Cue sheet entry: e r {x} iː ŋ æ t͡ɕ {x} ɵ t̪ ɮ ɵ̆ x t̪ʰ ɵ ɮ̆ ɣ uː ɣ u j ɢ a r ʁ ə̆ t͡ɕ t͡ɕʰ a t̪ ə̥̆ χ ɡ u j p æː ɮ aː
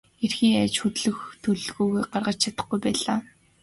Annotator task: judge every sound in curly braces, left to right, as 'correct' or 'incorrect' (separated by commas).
correct, correct